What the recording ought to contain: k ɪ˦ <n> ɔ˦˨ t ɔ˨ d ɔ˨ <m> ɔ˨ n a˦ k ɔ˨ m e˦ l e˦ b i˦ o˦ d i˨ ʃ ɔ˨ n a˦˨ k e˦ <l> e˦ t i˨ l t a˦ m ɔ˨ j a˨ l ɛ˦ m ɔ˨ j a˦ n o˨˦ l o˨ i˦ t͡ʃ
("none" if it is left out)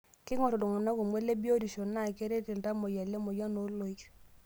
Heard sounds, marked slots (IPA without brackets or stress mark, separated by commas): ŋ, ŋ, ɾ